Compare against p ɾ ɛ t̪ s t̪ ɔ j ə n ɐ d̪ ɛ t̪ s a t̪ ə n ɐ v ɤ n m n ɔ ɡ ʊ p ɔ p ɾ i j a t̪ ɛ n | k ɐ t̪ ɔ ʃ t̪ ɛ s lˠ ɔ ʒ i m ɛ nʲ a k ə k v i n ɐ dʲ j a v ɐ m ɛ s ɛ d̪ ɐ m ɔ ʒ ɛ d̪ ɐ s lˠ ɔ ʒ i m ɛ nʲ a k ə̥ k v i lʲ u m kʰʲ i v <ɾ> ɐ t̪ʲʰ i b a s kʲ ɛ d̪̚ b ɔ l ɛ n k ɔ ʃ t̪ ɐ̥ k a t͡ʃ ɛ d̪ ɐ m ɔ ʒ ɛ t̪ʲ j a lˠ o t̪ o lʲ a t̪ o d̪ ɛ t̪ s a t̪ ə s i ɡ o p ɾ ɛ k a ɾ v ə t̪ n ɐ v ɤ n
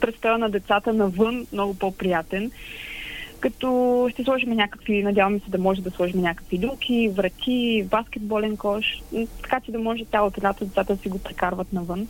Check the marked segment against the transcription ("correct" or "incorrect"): correct